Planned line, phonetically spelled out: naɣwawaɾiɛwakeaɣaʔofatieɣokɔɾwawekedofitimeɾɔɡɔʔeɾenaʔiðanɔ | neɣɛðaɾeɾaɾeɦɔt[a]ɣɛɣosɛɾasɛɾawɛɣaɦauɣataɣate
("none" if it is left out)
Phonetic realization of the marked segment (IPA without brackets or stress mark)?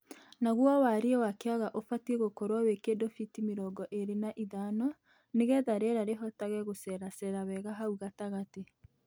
a